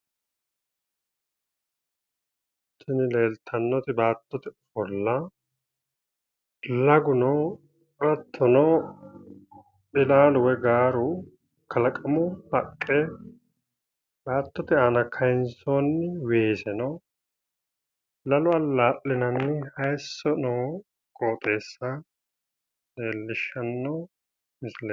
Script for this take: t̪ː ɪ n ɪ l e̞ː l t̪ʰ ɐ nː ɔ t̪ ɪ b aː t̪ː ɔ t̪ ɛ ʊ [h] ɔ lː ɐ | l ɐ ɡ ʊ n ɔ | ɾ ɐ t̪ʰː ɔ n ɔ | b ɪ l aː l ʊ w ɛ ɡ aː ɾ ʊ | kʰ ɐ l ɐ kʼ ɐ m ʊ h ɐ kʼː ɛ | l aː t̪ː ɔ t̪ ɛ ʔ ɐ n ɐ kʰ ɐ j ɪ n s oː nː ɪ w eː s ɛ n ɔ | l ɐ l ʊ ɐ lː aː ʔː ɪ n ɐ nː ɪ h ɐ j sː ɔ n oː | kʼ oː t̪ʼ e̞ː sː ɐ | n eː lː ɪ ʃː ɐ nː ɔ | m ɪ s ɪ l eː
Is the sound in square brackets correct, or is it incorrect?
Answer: incorrect